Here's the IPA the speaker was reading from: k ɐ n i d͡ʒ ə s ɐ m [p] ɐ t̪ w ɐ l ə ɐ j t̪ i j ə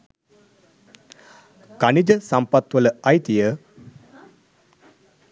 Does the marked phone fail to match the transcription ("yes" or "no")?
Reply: no